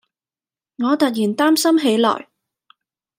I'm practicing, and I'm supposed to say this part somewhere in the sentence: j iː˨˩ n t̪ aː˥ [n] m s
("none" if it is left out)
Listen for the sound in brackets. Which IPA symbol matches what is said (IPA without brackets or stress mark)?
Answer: none